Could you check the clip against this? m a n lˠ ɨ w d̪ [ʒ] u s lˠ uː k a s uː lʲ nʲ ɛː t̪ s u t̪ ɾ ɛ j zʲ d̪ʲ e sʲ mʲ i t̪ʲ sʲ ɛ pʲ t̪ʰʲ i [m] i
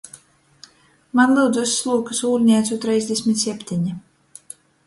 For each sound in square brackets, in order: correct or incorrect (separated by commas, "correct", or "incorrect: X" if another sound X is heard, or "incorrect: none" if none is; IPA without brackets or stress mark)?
incorrect: z, incorrect: ɲ